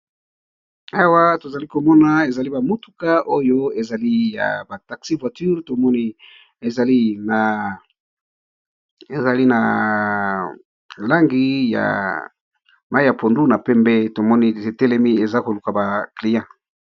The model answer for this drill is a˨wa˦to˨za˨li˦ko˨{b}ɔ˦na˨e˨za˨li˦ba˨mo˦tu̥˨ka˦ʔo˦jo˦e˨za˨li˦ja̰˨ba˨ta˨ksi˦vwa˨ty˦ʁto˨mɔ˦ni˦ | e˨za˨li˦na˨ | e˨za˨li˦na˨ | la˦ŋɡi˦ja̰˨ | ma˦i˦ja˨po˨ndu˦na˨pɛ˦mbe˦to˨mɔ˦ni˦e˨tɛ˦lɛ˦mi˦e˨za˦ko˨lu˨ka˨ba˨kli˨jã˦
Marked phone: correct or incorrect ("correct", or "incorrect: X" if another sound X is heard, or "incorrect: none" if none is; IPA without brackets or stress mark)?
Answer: incorrect: m